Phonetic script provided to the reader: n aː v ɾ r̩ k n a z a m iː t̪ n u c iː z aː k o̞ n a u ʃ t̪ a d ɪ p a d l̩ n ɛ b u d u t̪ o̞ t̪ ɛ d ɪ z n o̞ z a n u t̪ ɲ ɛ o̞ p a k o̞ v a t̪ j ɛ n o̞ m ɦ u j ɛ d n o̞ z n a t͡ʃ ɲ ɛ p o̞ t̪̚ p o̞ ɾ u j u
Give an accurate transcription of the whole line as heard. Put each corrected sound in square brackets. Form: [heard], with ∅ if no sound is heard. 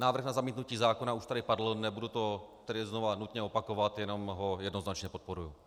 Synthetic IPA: n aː v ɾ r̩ [x] n a z a m iː t̪ n u c iː z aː k o̞ n a u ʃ t̪ a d ɪ p a d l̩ n ɛ b u d u t̪ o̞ t̪ ɛ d ɪ z n o̞ [v] a n u t̪ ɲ ɛ o̞ p a k o̞ v a t̪ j ɛ n o̞ m ɦ [o] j ɛ d n o̞ z n a t͡ʃ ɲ ɛ p o̞ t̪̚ p o̞ ɾ u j u